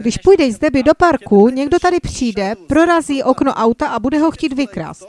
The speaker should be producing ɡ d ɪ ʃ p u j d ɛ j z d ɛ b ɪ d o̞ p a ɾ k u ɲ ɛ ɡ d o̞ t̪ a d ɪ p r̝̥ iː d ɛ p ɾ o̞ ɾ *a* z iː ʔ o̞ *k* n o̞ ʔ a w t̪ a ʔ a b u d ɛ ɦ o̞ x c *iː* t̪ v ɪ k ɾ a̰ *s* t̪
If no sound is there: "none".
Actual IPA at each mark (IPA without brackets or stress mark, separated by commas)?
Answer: a, k, iː, s